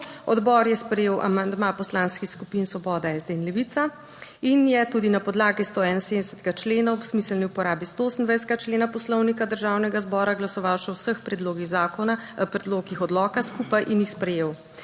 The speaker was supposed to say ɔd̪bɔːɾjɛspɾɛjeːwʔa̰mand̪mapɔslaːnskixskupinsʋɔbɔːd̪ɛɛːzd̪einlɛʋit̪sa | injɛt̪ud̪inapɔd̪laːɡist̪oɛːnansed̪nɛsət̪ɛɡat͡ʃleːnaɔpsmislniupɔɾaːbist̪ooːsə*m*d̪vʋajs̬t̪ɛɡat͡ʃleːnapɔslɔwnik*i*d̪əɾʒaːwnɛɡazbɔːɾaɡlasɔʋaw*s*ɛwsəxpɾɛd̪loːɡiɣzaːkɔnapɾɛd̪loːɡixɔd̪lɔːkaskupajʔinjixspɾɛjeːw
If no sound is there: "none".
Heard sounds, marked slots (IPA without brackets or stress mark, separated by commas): n, a, ʃ